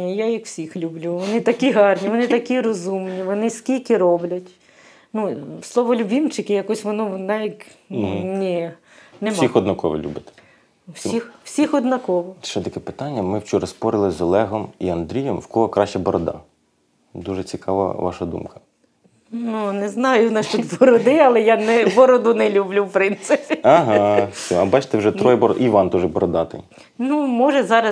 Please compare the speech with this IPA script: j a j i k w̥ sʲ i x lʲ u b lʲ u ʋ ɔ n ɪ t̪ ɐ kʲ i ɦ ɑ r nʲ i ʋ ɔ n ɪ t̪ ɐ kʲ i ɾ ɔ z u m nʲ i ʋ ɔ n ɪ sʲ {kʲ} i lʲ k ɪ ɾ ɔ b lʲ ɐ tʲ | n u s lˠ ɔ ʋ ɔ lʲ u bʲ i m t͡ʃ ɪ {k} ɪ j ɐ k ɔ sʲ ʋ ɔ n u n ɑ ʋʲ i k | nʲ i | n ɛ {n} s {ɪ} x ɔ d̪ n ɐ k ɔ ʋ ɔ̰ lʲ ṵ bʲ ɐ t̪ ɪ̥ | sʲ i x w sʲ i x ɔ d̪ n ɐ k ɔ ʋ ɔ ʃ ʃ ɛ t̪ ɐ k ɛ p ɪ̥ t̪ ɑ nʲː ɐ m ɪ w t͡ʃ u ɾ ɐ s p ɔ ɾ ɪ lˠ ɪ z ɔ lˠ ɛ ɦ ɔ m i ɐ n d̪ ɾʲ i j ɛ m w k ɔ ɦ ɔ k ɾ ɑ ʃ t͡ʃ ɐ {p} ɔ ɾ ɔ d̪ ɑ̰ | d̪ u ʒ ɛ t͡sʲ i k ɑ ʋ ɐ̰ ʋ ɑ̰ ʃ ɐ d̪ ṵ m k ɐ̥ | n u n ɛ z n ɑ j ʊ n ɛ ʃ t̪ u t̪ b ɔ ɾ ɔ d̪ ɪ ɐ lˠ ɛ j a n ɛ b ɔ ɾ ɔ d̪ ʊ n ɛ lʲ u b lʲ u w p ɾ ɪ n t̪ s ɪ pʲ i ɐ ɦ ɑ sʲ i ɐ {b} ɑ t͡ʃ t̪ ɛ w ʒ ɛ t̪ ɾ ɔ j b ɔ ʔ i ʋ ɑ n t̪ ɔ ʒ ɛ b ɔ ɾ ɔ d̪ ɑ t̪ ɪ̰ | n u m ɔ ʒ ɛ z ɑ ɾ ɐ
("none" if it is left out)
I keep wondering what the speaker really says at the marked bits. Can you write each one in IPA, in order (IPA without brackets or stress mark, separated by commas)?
kʲ, k, m, i, b, b